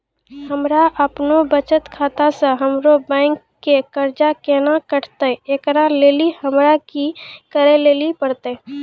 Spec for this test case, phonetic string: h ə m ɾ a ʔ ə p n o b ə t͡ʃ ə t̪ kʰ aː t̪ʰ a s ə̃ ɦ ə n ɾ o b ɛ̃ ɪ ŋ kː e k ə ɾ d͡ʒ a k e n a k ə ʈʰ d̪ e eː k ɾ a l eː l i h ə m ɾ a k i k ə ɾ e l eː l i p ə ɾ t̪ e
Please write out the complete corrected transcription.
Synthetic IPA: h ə m ɾ a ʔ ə p n o b ə t͡ʃ ə t̪ kʰ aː t̪ a s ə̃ ɦ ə m ɾ o b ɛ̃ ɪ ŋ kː e k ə ɾ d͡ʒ a k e n a k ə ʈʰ t̪ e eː k ɾ a l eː l i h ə m ɾ a k i k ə ɾ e l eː l i p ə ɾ t̪ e